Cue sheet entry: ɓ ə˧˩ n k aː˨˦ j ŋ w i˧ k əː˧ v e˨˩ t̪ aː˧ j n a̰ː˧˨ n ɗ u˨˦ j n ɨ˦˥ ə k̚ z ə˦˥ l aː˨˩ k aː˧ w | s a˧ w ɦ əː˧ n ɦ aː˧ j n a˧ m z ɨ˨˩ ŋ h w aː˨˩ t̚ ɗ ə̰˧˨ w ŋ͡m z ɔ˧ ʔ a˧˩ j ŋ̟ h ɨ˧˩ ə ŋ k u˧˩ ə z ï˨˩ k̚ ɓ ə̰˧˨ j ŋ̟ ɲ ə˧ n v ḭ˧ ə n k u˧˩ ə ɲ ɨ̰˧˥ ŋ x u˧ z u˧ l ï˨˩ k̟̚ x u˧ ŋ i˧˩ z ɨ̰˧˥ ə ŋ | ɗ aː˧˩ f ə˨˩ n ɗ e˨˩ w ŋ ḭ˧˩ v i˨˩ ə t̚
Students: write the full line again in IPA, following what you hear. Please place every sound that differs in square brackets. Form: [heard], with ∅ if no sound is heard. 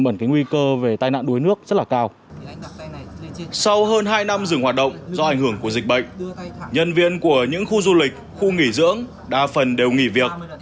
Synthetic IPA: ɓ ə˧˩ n k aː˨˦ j ŋ w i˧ k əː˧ v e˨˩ t̪ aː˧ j n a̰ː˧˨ n ɗ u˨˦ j n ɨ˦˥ ə k̚ z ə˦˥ l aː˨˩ k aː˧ w | s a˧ w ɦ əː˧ n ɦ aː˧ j n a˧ m z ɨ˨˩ ŋ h w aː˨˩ t̚ ɗ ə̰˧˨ w ŋ͡m z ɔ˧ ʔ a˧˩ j ŋ̟ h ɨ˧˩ ə ŋ k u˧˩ ə z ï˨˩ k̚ ɓ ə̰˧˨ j ŋ̟ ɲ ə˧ n v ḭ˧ ə n k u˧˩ ə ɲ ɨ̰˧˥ ŋ x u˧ z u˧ l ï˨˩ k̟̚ x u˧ ŋ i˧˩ z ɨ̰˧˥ ə ŋ | ɗ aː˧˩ f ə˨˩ n ɗ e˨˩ w ŋ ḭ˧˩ v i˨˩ ə [k̚]

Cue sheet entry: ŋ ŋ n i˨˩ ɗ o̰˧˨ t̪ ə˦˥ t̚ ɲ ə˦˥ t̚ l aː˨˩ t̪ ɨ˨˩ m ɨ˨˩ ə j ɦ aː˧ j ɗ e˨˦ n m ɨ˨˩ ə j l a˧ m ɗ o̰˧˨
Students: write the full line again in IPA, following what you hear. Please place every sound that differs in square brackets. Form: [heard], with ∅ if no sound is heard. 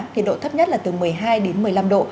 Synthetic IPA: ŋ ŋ [ɲ] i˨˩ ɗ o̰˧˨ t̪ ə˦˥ [p̚] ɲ ə˦˥ t̚ l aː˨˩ t̪ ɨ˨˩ m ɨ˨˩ ə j ɦ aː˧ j ɗ e˨˦ n m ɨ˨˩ ə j l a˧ m ɗ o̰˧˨

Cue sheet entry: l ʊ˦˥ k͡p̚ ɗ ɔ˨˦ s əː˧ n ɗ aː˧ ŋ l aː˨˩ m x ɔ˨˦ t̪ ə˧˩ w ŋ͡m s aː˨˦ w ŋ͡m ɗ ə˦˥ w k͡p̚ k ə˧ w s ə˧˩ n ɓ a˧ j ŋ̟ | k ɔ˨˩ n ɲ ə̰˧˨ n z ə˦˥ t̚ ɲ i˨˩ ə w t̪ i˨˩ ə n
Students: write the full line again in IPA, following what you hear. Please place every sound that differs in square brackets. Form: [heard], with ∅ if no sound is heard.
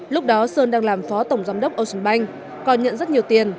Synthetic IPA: l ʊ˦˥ k͡p̚ ɗ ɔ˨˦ s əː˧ n ɗ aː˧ ŋ l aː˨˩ m [f] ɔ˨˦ t̪ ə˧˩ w ŋ͡m [z] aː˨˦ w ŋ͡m ɗ ə˦˥ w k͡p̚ [ʔ] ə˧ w s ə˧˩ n ɓ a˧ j ŋ̟ | k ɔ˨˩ n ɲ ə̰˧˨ n z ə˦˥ t̚ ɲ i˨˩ ə w t̪ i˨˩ ə n

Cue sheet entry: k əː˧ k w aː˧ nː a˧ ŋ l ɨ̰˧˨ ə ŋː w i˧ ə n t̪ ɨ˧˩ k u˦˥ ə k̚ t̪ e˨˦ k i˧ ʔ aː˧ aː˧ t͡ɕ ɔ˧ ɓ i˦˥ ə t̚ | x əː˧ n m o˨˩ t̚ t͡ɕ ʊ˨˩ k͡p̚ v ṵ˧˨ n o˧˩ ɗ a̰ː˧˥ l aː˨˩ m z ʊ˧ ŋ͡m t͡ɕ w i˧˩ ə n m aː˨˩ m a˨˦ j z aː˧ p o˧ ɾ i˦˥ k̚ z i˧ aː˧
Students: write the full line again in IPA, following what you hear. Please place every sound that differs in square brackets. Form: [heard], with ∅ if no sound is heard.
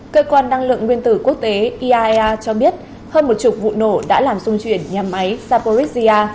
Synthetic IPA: k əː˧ k w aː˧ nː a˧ ŋ l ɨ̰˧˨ ə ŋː w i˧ ə n t̪ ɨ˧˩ k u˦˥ ə k̚ t̪ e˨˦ [ʔ] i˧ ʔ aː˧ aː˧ t͡ɕ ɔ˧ ɓ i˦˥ ə t̚ | [h] əː˧ n m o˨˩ t̚ t͡ɕ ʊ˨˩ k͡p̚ v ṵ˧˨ n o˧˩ ɗ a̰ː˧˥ l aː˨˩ m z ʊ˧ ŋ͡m t͡ɕ w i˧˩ ə n [ɲ] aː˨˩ m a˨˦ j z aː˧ p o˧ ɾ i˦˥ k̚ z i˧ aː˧

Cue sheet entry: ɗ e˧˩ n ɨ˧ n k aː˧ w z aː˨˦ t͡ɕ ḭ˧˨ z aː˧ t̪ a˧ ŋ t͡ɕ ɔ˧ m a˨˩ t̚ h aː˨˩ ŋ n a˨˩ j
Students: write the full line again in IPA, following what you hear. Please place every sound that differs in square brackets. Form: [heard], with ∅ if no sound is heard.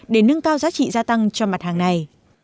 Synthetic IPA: ɗ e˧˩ n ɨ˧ [ŋ] k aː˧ w z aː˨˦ t͡ɕ ḭ˧˨ z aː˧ t̪ a˧ ŋ t͡ɕ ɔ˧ m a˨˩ t̚ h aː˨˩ ŋ n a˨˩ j

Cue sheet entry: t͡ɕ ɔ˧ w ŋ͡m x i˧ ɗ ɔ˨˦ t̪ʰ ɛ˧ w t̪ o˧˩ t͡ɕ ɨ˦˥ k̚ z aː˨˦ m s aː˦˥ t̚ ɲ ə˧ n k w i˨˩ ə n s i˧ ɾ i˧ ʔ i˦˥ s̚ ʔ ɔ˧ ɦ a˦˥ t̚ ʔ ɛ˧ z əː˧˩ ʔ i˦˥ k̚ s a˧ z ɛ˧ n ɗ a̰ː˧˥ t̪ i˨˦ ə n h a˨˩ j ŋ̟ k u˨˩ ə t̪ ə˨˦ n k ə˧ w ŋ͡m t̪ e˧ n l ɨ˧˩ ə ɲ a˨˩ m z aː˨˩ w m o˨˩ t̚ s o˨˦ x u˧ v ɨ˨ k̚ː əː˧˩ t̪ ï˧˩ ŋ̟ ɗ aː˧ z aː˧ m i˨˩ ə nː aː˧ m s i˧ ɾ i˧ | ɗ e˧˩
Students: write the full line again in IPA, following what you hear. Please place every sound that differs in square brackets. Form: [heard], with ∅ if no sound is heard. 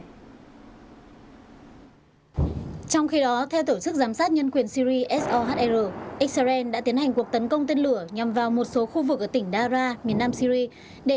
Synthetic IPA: t͡ɕ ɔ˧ w ŋ͡m x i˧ ɗ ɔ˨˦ t̪ʰ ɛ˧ w t̪ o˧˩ t͡ɕ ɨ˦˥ k̚ z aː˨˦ m s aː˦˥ t̚ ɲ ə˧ n k w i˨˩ ə n s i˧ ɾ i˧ ʔ [ɛ˦˥] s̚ ʔ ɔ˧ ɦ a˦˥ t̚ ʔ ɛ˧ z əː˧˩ ʔ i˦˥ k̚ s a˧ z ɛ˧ n ɗ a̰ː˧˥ t̪ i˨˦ ə n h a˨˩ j ŋ̟ k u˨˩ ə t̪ ə˨˦ n k ə˧ w ŋ͡m t̪ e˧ n l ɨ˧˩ ə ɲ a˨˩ m [v] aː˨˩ w m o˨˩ t̚ s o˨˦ x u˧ v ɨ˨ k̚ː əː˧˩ t̪ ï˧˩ ŋ̟ ɗ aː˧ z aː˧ m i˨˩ ə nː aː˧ m s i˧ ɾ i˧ | ɗ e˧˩

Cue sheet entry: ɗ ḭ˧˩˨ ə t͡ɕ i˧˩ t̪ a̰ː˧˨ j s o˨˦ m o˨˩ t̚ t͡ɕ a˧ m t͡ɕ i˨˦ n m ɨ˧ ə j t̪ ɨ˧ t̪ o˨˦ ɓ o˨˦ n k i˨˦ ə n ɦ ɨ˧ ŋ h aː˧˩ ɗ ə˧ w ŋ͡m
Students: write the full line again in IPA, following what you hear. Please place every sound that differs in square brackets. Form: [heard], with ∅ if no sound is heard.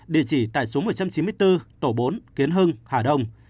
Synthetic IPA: ɗ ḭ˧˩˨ ə t͡ɕ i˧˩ t̪ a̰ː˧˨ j s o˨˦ m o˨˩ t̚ t͡ɕ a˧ m t͡ɕ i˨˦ n m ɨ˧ ə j t̪ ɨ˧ t̪ [o˧˩] ɓ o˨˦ n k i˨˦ ə n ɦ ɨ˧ ŋ h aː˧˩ ɗ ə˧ w ŋ͡m

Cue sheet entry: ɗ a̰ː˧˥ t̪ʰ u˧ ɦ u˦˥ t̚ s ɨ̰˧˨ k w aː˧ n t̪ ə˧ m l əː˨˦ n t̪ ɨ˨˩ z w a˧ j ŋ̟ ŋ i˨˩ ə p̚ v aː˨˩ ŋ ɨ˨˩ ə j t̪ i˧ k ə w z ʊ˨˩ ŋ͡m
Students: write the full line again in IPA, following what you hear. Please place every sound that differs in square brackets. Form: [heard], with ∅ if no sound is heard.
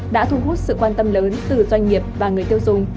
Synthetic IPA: ɗ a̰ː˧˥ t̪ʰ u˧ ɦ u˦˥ t̚ s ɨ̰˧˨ k w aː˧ n t̪ ə˧ m l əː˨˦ n t̪ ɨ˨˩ z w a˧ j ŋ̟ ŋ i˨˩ ə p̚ v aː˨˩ ŋ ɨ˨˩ ə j t̪ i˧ [∅] ə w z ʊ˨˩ ŋ͡m

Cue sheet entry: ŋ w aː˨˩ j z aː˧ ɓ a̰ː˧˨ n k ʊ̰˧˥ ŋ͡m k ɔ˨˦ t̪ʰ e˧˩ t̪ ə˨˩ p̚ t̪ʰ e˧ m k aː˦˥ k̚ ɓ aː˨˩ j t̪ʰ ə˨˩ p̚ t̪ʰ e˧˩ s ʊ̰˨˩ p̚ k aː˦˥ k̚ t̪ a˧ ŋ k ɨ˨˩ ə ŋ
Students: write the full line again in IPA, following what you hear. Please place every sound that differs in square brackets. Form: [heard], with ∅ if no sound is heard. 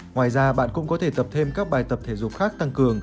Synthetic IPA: ŋ w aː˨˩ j z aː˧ ɓ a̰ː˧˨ n k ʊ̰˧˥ ŋ͡m k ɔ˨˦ t̪ʰ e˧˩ t̪ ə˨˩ p̚ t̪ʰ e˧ m k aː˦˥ k̚ ɓ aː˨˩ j [t̪] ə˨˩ p̚ t̪ʰ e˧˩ [z] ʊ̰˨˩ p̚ [x] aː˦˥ k̚ t̪ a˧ ŋ k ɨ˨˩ ə ŋ

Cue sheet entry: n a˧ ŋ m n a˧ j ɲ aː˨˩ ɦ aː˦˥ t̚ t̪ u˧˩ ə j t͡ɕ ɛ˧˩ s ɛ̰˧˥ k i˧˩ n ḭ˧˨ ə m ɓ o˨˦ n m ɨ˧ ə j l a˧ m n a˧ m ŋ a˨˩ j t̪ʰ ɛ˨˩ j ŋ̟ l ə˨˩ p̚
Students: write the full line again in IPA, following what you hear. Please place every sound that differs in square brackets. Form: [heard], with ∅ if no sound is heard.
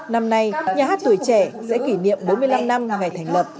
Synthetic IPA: n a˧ [∅] m n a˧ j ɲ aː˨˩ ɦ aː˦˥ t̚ t̪ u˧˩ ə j t͡ɕ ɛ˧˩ s ɛ̰˧˥ k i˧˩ n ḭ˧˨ ə m ɓ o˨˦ n m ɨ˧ ə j l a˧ m n a˧ m ŋ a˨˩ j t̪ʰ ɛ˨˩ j ŋ̟ l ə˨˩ p̚

